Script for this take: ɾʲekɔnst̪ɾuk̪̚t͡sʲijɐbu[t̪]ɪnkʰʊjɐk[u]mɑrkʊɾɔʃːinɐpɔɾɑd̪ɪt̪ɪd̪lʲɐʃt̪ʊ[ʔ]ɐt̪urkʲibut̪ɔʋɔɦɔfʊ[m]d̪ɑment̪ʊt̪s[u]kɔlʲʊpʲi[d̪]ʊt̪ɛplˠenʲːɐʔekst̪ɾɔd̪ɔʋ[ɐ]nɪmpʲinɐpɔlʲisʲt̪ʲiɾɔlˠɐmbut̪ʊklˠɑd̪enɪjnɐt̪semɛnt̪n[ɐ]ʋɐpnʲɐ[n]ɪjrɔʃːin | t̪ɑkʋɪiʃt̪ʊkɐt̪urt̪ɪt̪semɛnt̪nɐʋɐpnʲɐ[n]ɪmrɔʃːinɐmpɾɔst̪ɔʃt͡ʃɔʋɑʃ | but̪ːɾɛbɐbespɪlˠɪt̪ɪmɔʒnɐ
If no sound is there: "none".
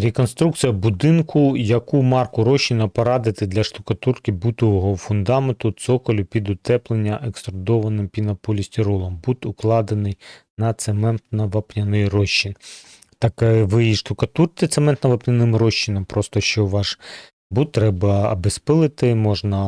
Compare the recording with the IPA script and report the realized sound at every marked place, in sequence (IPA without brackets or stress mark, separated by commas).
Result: d̪, u, k, n, ɔ, d̪, ɐ, ɐ, n, n